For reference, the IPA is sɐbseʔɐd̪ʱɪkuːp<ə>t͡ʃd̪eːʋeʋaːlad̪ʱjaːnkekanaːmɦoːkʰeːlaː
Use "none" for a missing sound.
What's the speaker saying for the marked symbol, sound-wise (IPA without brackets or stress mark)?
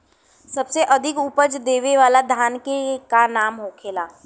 ə